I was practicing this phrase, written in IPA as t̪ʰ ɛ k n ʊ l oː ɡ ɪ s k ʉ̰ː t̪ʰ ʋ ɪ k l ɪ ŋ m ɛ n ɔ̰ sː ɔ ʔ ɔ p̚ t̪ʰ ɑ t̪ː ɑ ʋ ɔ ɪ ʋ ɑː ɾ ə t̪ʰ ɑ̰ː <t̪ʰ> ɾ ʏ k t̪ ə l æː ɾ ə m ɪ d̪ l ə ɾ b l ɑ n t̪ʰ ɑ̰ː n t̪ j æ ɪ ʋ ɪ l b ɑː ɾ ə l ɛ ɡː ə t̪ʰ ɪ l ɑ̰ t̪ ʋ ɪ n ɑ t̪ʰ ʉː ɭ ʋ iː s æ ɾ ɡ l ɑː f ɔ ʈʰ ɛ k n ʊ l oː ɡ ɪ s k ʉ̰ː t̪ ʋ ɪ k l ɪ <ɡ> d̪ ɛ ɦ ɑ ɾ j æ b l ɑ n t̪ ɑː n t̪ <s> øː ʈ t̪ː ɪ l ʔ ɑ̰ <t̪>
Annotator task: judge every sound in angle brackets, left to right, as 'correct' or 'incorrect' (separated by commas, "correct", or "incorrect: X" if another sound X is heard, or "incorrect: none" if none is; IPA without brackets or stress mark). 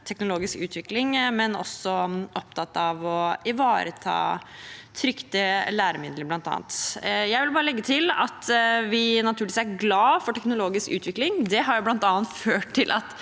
correct, incorrect: ŋ, incorrect: f, correct